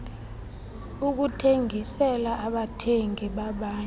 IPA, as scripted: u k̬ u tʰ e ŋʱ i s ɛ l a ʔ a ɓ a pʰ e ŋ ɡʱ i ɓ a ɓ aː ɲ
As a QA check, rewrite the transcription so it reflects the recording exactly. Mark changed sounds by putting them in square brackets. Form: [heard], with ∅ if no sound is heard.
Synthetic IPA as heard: u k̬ u tʰ e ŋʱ i s ɛ l a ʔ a ɓ a [tʰ] e ŋ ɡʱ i ɓ a ɓ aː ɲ